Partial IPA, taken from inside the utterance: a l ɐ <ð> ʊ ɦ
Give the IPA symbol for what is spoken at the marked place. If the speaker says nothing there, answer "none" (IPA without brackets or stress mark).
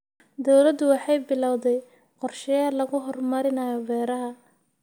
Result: ɣ